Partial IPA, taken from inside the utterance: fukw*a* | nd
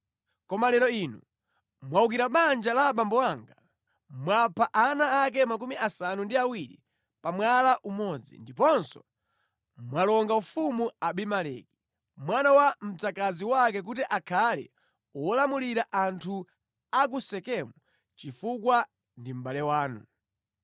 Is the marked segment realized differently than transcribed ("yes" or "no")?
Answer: no